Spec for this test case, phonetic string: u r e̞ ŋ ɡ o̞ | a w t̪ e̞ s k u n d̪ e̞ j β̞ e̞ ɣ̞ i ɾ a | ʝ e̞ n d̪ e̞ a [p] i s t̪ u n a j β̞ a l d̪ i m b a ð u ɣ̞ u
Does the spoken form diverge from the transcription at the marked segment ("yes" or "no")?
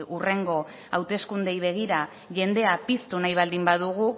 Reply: no